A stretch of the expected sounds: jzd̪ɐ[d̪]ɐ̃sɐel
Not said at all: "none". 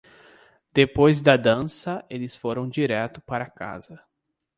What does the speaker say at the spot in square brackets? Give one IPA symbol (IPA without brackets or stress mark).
d̪